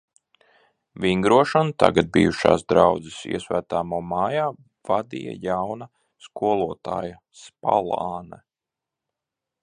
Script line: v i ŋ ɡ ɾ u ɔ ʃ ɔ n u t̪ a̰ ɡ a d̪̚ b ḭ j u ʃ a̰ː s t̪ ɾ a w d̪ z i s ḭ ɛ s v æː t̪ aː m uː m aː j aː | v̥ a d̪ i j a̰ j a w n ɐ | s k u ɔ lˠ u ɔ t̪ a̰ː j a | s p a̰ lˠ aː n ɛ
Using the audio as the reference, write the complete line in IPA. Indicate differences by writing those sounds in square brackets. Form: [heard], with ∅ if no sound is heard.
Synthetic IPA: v i ŋ ɡ ɾ u ɔ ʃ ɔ n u t̪ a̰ ɡ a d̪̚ b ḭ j u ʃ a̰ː s [d̪] ɾ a w d̪ z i s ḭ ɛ s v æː t̪ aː m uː m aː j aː | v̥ a d̪ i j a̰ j a w n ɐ | s k u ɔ lˠ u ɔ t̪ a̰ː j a | s p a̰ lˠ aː n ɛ

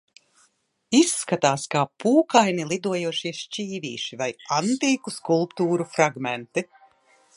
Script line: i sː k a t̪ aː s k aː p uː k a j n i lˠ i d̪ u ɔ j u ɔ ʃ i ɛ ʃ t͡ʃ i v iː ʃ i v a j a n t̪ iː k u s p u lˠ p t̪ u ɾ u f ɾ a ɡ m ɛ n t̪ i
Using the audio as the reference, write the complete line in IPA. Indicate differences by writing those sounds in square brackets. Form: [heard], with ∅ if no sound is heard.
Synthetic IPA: i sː k a t̪ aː s k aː p uː k a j n i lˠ i d̪ u ɔ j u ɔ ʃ i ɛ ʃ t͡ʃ [iː] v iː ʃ i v a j a n t̪ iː k u s [k] u lˠ p t̪ [uː] ɾ u f ɾ a ɡ m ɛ n t̪ i

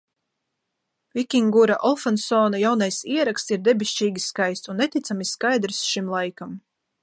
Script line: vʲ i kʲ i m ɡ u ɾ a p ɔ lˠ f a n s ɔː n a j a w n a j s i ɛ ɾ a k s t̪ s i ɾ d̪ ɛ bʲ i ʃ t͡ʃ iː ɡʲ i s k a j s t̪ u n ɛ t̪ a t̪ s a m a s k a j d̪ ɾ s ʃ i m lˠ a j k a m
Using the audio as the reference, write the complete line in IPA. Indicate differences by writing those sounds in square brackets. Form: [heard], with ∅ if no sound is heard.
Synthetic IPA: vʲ i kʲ i [ŋ] ɡ u ɾ a [ʔ] ɔ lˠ f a n s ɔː n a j a w n a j s i ɛ ɾ a k s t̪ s i ɾ d̪ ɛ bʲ i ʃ t͡ʃ iː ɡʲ i s k a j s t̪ u [nː] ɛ t̪ [i] t̪ s a m [i] s k a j d̪ ɾ s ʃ i m lˠ a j k a m

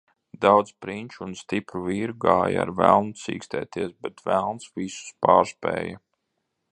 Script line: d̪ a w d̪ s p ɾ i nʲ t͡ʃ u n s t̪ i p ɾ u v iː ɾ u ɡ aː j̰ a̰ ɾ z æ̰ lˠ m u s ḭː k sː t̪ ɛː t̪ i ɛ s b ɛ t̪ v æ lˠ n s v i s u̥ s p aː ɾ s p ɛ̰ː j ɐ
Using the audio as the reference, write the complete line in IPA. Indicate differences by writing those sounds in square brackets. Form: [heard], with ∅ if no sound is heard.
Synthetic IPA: d̪ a w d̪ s p ɾ i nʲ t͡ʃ u n s t̪ i p ɾ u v iː ɾ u ɡ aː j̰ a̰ ɾ [v] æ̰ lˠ [n] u s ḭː k [s] t̪ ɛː t̪ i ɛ s b ɛ t̪ v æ lˠ n s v i s u̥ s p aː ɾ s p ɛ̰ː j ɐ

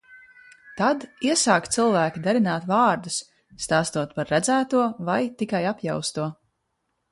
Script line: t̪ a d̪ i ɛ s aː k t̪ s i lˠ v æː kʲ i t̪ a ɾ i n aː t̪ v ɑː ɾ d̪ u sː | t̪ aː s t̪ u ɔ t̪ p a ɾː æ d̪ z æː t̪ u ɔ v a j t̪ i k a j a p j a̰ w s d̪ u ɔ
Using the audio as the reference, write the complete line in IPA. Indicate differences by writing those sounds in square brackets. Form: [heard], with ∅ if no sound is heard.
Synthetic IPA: t̪ a d̪ i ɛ s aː k t̪ s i lˠ v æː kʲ i [d̪] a ɾ i n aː t̪ v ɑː ɾ d̪ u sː | t̪ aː s t̪ u ɔ t̪ p a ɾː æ d̪ z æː t̪ u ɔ v a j t̪ i k a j a p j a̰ w s [t̪] u ɔ

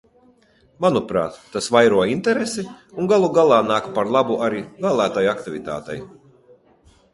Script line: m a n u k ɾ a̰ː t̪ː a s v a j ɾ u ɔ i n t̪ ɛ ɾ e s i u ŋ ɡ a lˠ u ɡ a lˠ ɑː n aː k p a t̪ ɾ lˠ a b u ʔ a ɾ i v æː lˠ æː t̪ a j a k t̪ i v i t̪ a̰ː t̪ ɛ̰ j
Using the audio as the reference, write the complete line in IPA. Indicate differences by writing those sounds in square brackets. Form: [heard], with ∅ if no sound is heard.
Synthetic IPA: m a n u [p] ɾ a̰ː t̪ː a s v a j ɾ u ɔ i n t̪ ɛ ɾ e s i u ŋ ɡ a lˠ u ɡ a lˠ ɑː n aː k p a [∅] ɾ lˠ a b u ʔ a ɾ i v æː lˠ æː t̪ a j a k t̪ i v i t̪ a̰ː t̪ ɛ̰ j

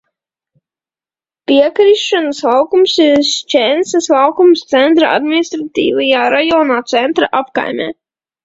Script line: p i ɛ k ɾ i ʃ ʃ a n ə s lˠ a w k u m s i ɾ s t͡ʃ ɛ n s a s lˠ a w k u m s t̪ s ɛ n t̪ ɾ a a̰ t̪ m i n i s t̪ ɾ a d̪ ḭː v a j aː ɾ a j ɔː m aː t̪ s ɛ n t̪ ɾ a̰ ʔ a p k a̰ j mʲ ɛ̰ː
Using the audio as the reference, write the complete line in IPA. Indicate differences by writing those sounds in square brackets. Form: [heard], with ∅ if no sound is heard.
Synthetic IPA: p i ɛ k ɾ i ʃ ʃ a n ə s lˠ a w k u m s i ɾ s t͡ʃ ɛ n s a s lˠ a w k u m s t̪ s ɛ n t̪ ɾ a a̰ [d̪] m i n i s t̪ ɾ a [t̪] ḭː v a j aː ɾ a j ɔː [n] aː t̪ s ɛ n t̪ ɾ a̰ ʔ a p k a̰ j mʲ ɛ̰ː

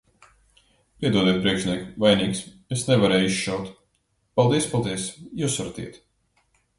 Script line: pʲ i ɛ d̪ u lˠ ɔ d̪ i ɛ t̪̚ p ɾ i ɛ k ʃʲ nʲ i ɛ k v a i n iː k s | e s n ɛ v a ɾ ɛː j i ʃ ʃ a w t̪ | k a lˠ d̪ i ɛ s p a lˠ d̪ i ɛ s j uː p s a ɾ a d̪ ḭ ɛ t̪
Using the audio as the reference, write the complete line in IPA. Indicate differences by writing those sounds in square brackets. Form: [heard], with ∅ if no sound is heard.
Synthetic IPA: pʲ i ɛ d̪ u [∅] ɔ d̪ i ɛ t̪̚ p ɾ i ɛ k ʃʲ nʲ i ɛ k v a [j] n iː k s | e s n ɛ v a ɾ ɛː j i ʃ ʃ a w t̪ | [p] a lˠ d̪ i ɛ s p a lˠ d̪ i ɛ s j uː [∅] s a ɾ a [t̪] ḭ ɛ t̪

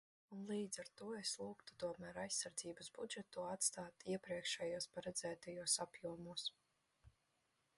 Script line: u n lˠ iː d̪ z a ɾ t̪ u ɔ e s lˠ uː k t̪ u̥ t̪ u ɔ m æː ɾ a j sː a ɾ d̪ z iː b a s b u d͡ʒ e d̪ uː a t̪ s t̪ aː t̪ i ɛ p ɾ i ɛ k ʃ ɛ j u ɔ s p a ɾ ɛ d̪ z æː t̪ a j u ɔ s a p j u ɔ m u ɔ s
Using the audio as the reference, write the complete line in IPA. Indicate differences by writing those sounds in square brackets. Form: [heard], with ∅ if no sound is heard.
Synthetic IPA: u n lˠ iː d̪ z a ɾ t̪ u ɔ e s lˠ uː k t̪ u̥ t̪ u ɔ m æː ɾ a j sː a ɾ d̪ z iː b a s b u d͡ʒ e [t̪] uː a t̪ s t̪ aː t̪ i ɛ p ɾ i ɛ k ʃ ɛ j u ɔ s p a ɾ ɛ d̪ z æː t̪ a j u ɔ s a p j u ɔ m u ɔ s

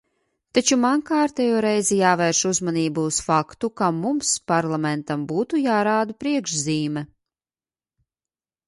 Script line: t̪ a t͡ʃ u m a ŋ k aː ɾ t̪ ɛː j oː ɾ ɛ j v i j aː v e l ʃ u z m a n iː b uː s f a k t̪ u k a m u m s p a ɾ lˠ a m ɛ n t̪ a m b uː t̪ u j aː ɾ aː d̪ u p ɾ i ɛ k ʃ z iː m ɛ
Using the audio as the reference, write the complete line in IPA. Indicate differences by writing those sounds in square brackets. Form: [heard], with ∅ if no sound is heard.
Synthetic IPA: t̪ a t͡ʃ u m a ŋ k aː ɾ t̪ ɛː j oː ɾ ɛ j [z] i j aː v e [ɾ] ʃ u z m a n iː b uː s f a k t̪ u k a m u m s p a ɾ lˠ a m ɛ n t̪ a m b uː t̪ u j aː ɾ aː d̪ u p ɾ i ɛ k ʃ z iː m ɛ

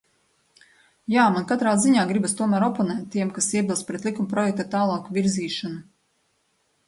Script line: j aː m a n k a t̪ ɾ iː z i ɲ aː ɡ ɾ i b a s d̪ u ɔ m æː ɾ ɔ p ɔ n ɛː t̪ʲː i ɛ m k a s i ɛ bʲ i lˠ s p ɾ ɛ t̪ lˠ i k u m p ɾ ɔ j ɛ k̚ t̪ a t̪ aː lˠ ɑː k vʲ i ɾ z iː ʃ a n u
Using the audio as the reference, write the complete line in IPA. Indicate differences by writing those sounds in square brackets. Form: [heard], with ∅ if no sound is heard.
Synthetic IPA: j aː m a n k a t̪ ɾ [aː] z i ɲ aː ɡ ɾ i b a s [t̪] u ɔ m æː ɾ ɔ p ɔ n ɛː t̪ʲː i ɛ m k a s i ɛ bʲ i lˠ s p ɾ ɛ t̪ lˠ i k u m p ɾ ɔ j ɛ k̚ t̪ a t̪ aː lˠ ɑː k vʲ i ɾ z iː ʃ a n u

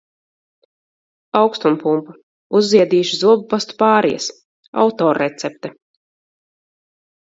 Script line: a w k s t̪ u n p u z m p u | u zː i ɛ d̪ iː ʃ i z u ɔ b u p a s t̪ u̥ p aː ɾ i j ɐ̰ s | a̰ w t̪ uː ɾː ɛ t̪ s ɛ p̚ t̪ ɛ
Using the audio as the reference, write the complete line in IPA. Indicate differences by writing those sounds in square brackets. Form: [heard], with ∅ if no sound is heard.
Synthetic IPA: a w k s t̪ u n p u [∅] m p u | u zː i ɛ d̪ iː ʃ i z u ɔ b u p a s t̪ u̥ p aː ɾ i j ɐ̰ s | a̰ w t̪ [ɔː] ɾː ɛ t̪ s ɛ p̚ t̪ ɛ

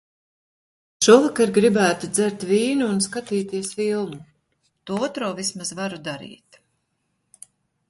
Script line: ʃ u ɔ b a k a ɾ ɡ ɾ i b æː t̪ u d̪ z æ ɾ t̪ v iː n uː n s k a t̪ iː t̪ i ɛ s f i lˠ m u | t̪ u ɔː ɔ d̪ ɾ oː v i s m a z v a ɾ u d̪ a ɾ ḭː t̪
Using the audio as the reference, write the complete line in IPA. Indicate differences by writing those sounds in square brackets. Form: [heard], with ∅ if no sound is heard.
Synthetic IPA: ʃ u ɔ [v] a k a ɾ ɡ ɾ i b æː t̪ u d̪ z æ ɾ t̪ v iː n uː n s k a t̪ iː t̪ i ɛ s f i lˠ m u | t̪ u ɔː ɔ [t̪] ɾ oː v i s m a z v a ɾ u d̪ a ɾ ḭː t̪

